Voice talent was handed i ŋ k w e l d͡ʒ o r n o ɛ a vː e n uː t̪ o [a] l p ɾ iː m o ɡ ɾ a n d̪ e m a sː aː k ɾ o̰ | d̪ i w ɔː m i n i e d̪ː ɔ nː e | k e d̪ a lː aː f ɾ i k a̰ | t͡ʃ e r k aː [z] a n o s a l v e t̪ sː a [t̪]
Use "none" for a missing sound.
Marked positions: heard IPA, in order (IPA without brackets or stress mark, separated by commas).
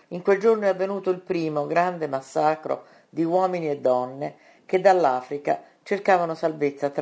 i, v, t̪